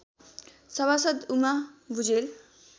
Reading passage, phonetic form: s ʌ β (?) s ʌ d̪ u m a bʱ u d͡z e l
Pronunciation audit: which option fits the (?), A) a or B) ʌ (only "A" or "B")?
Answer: A